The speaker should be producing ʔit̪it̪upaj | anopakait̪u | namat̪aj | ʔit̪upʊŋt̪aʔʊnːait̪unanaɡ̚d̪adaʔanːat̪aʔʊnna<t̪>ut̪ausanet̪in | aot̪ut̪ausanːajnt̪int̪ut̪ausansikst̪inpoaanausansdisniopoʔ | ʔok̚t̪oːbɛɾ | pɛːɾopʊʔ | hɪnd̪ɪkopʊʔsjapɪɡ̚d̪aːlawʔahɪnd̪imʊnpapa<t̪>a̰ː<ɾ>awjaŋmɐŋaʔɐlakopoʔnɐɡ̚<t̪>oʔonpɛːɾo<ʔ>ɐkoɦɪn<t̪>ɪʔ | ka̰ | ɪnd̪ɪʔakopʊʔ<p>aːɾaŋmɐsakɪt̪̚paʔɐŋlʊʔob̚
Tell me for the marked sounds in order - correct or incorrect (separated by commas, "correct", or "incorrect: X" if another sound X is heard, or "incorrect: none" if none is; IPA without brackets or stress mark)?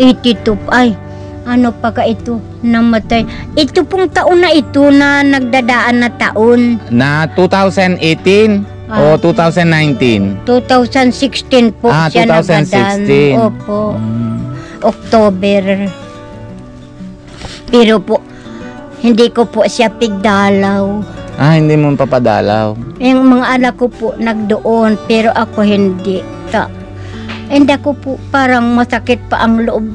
correct, incorrect: d̪, incorrect: l, incorrect: d̪, correct, incorrect: d̪, correct